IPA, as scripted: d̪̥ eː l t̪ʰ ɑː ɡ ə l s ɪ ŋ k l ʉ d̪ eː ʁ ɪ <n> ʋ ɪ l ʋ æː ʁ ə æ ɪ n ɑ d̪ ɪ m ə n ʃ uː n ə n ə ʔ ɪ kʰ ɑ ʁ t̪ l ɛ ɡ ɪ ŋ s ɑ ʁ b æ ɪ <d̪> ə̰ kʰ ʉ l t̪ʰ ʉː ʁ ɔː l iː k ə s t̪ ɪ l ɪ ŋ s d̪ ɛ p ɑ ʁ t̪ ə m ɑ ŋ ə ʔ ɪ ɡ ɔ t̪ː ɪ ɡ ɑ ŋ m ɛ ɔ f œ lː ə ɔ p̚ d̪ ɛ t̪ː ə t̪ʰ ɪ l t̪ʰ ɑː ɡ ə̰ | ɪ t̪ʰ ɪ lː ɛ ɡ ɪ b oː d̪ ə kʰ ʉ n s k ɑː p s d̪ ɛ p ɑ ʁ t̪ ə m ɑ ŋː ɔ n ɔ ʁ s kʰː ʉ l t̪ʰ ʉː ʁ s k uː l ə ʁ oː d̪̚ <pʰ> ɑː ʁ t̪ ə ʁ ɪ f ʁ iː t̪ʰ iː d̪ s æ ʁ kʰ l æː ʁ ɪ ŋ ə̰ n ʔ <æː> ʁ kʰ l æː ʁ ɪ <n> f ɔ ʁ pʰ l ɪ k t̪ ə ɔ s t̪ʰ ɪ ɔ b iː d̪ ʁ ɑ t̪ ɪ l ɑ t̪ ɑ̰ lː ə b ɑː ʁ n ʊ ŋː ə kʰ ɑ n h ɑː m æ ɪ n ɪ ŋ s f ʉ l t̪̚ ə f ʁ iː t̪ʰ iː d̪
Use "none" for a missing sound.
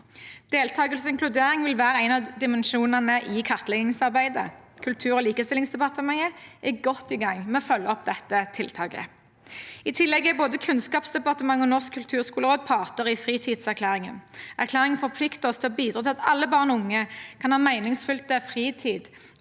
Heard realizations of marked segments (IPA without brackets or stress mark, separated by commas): ŋ, d̪, pʰ, æ, ŋ